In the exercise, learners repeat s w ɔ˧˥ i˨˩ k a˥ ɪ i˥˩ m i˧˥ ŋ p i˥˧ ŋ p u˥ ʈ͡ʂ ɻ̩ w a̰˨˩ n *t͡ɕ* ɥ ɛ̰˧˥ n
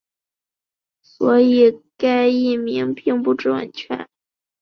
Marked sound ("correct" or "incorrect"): incorrect